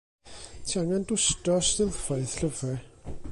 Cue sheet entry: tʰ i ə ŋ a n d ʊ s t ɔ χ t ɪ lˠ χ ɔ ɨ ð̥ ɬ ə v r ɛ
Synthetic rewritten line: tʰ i a ŋ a n d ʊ s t ɔ s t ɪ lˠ f ɔ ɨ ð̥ ɬ ə v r ɛ